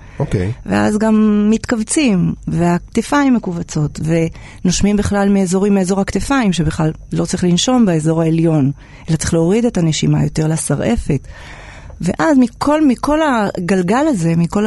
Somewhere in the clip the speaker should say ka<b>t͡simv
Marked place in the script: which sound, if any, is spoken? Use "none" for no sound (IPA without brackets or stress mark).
v